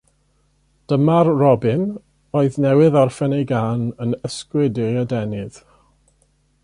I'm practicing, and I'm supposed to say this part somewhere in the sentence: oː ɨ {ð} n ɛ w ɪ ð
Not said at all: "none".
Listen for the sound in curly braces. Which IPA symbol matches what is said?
ð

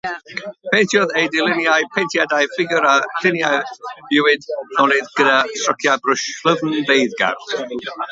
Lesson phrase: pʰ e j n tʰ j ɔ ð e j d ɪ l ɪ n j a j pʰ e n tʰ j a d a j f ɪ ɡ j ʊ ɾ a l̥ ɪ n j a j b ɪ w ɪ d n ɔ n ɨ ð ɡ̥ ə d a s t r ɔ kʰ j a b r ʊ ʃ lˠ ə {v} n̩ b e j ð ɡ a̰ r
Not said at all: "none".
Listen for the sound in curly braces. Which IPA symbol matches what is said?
v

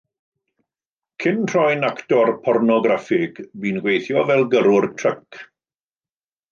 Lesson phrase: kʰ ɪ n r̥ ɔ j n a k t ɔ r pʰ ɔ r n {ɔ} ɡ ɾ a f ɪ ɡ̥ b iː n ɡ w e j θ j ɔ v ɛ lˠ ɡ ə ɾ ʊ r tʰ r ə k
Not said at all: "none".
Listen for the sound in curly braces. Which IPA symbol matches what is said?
ɔ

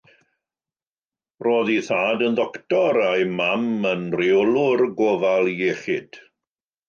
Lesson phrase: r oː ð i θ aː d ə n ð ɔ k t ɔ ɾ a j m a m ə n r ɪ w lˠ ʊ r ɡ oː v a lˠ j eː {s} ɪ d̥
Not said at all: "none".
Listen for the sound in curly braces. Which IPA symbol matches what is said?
χ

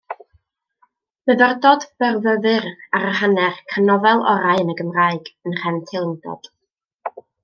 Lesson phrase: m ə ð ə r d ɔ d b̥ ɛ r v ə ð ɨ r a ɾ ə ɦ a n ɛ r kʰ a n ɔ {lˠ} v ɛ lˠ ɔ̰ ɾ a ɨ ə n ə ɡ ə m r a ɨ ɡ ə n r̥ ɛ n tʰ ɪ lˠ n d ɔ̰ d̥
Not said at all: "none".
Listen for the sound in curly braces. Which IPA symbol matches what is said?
none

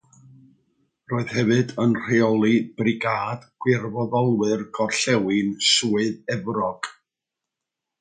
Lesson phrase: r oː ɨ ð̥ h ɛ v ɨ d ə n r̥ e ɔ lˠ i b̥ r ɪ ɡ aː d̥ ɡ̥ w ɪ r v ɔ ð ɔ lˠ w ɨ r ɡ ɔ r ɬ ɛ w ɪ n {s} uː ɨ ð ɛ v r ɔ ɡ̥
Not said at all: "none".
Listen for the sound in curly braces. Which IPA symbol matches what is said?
s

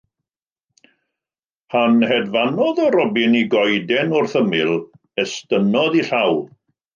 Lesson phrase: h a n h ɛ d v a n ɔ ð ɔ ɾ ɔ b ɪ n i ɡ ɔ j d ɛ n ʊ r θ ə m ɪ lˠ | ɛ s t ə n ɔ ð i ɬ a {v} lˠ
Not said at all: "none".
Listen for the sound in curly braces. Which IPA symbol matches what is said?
w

